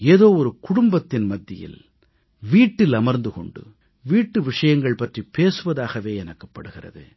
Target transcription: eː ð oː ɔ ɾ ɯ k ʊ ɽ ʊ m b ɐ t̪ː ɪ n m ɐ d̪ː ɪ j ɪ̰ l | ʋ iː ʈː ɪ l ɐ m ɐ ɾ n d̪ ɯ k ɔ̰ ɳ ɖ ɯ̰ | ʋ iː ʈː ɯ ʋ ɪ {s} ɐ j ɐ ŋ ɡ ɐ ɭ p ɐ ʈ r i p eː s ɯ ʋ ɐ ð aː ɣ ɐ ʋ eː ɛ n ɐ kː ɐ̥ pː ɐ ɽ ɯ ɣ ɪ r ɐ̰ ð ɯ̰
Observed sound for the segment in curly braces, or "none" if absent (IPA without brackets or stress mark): ʂ